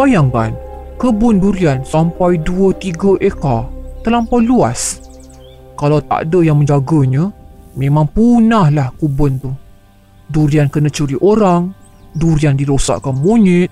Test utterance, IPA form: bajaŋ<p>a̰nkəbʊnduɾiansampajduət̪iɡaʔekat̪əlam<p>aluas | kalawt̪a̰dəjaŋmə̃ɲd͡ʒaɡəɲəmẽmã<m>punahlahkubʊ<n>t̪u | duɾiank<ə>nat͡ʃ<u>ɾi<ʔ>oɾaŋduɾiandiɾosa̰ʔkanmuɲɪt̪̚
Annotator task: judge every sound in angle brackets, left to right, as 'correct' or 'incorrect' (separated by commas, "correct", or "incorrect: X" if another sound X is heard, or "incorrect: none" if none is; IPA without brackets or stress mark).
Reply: incorrect: k, correct, incorrect: ŋ, correct, correct, correct, correct